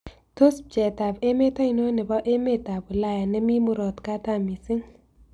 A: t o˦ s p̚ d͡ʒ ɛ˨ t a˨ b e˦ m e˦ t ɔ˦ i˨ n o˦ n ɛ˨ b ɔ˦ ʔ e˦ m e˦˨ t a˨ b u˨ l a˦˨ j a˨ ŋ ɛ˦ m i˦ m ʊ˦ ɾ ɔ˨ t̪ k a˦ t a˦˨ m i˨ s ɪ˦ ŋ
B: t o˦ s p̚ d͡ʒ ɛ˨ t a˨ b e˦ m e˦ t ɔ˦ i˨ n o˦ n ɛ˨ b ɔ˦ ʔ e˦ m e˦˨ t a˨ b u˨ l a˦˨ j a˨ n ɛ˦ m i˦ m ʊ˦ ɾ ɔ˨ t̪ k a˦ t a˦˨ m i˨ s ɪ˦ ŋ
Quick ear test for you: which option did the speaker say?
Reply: B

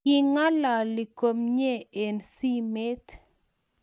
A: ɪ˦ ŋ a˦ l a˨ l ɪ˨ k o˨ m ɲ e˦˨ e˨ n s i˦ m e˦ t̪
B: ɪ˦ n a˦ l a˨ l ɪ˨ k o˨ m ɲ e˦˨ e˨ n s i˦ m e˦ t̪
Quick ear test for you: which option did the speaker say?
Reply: A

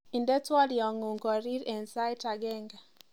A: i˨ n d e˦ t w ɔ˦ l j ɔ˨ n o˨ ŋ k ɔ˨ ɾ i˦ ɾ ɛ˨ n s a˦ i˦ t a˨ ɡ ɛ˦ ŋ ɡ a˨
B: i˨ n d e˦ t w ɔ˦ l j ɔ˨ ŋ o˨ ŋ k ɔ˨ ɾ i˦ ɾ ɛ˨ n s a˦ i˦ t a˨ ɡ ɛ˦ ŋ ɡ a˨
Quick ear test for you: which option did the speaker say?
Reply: B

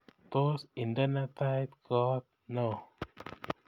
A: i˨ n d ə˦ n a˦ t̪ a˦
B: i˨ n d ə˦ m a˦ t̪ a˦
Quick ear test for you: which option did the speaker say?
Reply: A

